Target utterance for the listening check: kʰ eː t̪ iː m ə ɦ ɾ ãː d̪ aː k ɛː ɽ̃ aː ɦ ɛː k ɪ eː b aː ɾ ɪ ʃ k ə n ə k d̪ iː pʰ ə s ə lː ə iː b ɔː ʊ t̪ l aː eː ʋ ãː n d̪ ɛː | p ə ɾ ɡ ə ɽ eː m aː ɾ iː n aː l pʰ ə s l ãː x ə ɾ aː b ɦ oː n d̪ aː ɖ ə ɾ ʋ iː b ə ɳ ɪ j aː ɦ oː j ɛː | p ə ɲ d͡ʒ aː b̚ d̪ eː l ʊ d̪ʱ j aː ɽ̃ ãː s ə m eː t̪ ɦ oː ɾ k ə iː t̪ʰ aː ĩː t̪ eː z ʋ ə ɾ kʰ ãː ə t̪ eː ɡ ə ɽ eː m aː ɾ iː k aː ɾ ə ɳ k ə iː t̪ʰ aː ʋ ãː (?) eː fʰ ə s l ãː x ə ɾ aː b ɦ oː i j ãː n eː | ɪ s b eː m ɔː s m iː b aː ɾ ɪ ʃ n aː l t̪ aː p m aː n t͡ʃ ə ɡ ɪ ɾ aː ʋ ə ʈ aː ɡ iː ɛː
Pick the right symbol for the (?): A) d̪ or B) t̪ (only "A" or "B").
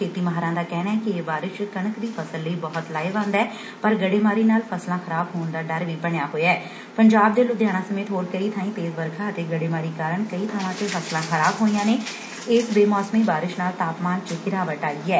B